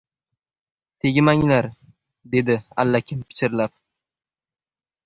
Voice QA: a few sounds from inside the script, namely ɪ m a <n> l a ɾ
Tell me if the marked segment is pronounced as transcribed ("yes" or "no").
no